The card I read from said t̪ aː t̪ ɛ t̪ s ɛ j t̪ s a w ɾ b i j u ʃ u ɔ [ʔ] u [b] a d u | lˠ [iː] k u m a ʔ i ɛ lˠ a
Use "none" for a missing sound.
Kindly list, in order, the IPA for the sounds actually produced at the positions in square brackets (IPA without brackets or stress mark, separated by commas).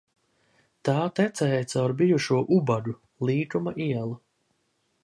ʔ, b, iː